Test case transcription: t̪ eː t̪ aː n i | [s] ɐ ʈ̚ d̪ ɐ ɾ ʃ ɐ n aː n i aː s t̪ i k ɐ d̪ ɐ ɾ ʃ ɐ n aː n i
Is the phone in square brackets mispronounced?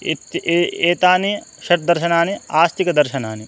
yes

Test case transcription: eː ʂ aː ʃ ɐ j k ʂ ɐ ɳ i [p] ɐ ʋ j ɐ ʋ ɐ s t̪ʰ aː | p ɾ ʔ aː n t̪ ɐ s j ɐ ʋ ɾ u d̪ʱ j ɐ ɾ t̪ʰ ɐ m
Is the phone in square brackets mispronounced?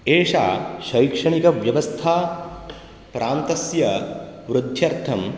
yes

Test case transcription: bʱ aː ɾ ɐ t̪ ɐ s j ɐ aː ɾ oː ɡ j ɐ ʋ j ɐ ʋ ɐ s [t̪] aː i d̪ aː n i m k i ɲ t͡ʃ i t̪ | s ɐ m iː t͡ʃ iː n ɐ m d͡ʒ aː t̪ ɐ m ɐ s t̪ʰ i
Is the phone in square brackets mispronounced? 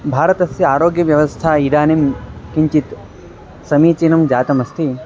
yes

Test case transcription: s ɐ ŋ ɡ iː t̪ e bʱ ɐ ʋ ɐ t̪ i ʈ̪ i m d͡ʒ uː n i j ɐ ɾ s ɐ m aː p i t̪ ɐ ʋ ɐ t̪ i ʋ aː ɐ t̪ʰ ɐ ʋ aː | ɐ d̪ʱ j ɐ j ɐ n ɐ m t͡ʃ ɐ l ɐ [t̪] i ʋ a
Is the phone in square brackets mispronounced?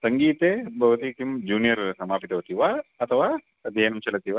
no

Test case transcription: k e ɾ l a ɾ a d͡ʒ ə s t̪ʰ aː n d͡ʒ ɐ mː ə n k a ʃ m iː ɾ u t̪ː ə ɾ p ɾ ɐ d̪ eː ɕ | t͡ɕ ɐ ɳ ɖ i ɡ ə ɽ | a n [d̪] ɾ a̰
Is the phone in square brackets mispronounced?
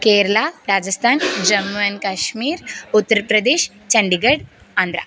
no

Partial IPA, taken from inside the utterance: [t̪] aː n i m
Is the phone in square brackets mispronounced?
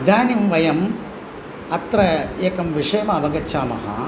yes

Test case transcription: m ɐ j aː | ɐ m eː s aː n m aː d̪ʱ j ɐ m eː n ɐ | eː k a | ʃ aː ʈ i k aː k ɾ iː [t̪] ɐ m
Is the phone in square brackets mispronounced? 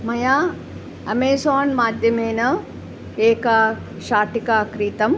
no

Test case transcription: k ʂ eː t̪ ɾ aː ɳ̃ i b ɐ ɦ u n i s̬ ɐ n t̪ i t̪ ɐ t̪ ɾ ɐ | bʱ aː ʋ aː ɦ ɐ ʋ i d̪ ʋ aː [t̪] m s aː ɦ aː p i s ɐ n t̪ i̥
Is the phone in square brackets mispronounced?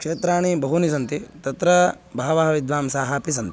yes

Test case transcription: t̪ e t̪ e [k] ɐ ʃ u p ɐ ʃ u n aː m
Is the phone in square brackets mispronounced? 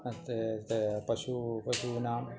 yes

